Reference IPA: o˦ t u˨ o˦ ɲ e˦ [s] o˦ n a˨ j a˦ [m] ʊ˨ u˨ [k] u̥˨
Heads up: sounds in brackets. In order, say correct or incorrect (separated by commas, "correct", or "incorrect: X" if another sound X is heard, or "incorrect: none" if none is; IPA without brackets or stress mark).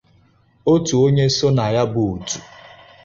correct, incorrect: b, incorrect: t